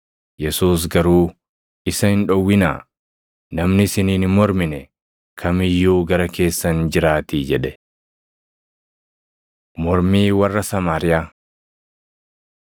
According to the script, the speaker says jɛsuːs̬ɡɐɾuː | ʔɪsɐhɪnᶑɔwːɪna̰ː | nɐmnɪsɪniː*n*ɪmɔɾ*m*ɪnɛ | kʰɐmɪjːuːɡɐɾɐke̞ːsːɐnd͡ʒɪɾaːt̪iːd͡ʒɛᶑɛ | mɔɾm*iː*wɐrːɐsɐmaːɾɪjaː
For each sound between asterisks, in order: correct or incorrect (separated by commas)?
correct, correct, correct